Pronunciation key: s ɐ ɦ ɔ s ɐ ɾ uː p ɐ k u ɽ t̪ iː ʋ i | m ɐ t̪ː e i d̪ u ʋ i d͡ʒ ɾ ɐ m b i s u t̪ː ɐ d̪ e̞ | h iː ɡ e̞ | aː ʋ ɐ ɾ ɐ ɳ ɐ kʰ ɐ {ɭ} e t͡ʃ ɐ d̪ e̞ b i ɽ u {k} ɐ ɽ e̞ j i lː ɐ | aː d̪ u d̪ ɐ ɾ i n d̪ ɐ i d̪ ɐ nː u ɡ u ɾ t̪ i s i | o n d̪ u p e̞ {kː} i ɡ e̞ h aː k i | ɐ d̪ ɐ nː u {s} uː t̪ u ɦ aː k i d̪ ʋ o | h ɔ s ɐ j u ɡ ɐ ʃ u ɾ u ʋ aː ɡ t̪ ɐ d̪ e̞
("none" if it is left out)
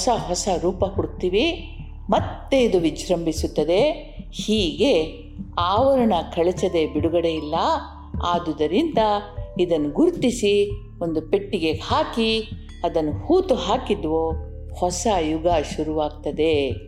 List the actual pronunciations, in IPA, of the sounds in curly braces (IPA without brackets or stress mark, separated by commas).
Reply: ɭ, ɡ, ʈː, h